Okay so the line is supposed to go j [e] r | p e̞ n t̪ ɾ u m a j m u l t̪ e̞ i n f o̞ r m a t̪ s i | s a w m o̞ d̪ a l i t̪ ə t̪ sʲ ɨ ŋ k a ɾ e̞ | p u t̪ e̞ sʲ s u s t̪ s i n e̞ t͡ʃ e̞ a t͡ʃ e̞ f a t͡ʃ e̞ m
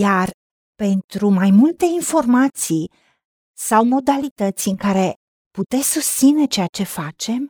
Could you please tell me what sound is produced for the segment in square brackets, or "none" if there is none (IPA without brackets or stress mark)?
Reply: a